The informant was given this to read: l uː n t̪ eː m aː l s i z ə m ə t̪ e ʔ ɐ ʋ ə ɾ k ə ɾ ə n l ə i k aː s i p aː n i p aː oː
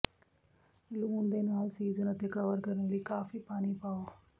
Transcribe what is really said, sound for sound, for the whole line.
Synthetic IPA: l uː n d̪ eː n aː l s iː z ə n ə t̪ e k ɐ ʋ ə ɾ k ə ɾ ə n l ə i k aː f i p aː n i p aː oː